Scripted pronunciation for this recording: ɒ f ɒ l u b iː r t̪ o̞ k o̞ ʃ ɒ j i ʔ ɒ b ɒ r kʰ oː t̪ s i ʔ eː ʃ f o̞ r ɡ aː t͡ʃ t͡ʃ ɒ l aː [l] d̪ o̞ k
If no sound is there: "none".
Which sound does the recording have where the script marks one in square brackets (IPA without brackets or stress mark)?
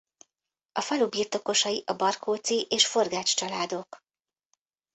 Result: none